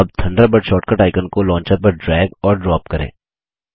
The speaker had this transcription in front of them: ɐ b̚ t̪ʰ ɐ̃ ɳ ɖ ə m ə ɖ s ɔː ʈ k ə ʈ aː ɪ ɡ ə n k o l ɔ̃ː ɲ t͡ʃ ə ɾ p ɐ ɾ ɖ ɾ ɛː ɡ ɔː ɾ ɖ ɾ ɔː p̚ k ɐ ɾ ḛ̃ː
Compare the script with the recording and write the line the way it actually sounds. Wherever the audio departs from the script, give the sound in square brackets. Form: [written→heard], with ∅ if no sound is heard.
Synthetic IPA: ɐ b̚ t̪ʰ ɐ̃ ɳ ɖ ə [m→b] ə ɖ [s→ʃ] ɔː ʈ k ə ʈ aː ɪ [ɡ→k] ə n k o l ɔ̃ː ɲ t͡ʃ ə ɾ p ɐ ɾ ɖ ɾ ɛː ɡ ɔː ɾ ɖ ɾ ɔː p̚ k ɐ ɾ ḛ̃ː